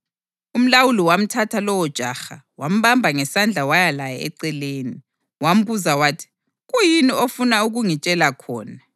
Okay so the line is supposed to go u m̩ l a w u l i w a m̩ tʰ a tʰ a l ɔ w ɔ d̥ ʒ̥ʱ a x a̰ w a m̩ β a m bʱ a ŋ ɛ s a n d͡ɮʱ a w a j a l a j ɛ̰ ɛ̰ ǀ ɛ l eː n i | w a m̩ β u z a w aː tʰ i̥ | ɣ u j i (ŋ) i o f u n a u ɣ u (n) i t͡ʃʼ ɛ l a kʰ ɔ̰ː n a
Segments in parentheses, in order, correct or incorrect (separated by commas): incorrect, incorrect